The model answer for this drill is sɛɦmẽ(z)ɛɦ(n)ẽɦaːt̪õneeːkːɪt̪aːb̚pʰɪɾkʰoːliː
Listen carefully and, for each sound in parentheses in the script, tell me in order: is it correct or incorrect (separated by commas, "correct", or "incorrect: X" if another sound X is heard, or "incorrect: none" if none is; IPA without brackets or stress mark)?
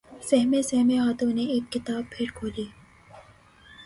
incorrect: s, incorrect: m